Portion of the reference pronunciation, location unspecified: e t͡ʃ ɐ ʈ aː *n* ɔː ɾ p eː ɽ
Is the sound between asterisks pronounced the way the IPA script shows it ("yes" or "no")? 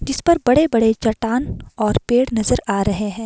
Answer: yes